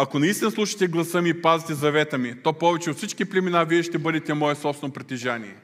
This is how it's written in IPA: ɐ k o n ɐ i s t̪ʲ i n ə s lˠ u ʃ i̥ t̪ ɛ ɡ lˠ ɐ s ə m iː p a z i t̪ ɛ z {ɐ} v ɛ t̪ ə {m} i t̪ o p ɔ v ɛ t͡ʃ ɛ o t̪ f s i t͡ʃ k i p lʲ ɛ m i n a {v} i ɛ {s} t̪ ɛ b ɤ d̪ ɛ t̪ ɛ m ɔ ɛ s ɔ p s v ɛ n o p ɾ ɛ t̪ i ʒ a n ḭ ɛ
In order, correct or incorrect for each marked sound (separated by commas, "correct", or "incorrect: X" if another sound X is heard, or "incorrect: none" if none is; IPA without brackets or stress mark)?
correct, correct, correct, incorrect: ʃ